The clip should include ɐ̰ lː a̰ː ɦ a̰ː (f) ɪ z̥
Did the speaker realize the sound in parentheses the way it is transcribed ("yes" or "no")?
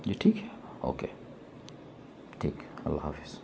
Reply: yes